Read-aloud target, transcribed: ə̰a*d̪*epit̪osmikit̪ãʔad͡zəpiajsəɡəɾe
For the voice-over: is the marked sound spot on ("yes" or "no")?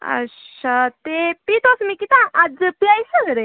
no